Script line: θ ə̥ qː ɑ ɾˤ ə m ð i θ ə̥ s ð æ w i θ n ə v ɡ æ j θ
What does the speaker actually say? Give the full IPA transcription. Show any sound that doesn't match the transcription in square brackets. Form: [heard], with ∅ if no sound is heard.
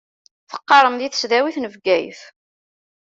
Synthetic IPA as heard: θ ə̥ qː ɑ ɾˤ ə m ð i θ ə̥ s ð æ w i θ n ə v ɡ æ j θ